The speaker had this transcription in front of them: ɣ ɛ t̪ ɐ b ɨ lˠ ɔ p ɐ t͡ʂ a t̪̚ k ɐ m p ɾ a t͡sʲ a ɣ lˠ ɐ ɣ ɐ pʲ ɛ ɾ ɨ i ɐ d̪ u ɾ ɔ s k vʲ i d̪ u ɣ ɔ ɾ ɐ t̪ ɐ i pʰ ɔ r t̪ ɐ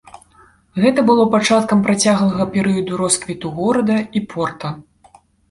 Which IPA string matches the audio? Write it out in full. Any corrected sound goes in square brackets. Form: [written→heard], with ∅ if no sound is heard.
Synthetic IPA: ɣ ɛ t̪ ɐ b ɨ lˠ ɔ p [ɐ→a] t͡ʂ a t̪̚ k ɐ m p ɾ a t͡sʲ a ɣ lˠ ɐ ɣ ɐ pʲ ɛ ɾ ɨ [i→j] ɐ d̪ u ɾ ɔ s k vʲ i [d̪→t̪] u ɣ ɔ ɾ ɐ [t̪→d̪] ɐ i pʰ ɔ r t̪ ɐ